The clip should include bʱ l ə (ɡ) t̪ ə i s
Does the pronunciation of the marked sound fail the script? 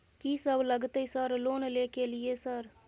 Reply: no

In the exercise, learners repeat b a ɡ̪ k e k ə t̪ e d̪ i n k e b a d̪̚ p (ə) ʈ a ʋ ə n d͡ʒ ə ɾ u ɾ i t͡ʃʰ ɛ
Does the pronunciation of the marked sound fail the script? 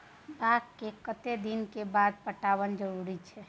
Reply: no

